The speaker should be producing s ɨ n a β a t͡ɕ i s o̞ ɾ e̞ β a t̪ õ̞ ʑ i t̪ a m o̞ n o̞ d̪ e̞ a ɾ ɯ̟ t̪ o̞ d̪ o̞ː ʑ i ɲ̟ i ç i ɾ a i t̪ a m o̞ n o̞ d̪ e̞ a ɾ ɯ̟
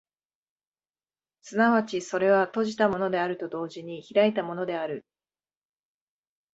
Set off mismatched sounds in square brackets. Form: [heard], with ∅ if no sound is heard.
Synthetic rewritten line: s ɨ n a β a t͡ɕ i s o̞ ɾ e̞ β a t̪ [o̞] ʑ i t̪ a m o̞ n o̞ d̪ e̞ a ɾ ɯ̟ t̪ o̞ d̪ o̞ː ʑ i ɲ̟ i ç i ɾ a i t̪ a m o̞ n o̞ d̪ e̞ a ɾ ɯ̟